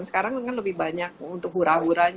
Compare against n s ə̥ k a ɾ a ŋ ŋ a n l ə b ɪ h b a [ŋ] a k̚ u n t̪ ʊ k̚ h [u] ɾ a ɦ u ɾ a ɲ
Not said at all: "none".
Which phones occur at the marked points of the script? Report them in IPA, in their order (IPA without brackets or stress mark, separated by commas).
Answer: ɲ, u